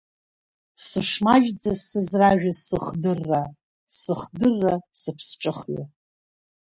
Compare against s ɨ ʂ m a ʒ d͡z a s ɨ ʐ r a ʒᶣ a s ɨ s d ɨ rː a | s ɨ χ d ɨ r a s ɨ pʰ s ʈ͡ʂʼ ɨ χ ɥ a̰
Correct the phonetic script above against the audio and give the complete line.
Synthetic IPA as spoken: s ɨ ʂ m a ʒ d͡z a s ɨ z r a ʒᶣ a s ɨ χ d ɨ rː a | s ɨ χ d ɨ rː a s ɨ pʰ s ʈ͡ʂʼ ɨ χ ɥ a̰